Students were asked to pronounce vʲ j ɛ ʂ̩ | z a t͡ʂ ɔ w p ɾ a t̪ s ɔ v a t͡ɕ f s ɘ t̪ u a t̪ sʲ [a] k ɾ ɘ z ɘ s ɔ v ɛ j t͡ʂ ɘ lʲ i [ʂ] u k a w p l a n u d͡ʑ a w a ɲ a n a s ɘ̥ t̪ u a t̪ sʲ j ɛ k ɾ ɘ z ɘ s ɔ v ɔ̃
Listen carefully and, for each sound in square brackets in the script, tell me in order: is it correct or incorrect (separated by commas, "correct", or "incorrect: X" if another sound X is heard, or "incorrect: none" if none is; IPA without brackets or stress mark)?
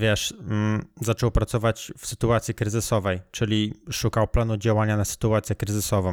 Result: incorrect: i, correct